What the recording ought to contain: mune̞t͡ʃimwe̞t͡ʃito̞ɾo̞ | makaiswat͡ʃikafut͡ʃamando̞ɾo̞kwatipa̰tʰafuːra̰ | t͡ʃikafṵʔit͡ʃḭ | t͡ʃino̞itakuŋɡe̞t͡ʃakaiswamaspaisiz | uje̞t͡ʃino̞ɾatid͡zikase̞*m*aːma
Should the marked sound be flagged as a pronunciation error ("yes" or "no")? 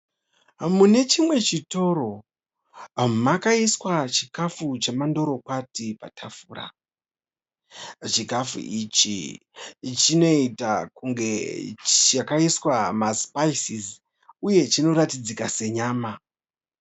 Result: yes